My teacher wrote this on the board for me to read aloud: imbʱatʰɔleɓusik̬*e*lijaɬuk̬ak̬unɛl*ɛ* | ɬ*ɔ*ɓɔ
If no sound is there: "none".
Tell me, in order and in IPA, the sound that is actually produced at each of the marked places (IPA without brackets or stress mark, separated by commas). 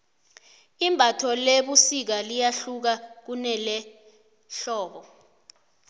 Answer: a, ɛ, ɔː